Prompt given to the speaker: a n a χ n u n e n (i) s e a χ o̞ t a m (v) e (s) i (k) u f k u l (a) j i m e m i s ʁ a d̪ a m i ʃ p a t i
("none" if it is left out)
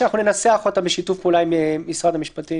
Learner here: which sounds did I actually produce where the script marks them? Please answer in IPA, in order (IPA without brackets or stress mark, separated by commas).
a, b, ʃ, t, a